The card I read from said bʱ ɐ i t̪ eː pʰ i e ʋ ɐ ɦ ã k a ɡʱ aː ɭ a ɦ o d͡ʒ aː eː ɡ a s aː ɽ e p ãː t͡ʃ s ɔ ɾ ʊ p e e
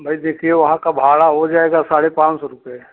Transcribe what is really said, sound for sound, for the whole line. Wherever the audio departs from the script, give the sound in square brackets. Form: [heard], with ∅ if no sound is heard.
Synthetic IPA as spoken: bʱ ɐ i [d̪] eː [kʰ] i e ʋ ɐ ɦ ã k a [bʱ] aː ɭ a ɦ o d͡ʒ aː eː ɡ a s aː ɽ e p ãː t͡ʃ s ɔ ɾ ʊ p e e